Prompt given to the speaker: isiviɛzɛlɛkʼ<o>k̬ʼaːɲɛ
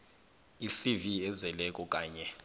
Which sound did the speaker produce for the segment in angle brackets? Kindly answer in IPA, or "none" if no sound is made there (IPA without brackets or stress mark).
ɔ